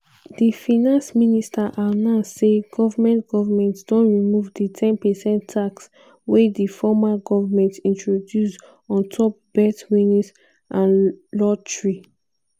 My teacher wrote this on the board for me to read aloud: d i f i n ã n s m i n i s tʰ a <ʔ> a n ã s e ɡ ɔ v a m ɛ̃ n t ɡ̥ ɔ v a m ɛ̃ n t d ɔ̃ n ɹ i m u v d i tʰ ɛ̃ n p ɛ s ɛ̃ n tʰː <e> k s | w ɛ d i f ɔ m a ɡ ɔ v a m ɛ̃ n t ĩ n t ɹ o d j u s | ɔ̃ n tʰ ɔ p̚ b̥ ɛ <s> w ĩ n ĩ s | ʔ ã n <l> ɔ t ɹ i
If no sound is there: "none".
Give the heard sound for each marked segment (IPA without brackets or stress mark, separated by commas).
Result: ʔ, a, t, l